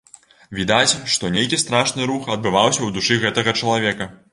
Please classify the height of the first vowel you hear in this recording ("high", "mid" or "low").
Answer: high